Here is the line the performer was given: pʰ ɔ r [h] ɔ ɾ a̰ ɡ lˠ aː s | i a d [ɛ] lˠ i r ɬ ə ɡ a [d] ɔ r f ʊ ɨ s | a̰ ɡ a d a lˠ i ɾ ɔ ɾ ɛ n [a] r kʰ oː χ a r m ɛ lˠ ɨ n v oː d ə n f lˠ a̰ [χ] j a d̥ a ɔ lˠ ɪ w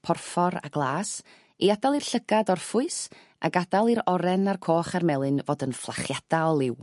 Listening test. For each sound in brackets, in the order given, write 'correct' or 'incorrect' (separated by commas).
incorrect, incorrect, correct, correct, correct